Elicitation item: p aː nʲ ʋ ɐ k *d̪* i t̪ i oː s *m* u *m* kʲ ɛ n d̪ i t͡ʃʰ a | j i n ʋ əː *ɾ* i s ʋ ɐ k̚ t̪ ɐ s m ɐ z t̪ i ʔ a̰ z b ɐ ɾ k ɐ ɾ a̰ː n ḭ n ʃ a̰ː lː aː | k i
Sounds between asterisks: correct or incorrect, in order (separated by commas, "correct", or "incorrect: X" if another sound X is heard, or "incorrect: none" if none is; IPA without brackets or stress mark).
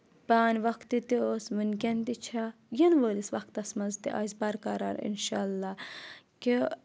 incorrect: t̪, correct, incorrect: n, incorrect: l